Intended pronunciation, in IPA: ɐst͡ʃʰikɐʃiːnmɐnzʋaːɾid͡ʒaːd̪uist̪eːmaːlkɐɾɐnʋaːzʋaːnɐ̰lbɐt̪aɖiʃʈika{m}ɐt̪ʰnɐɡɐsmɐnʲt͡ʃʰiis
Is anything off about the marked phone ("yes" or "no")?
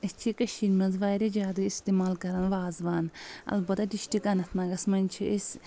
yes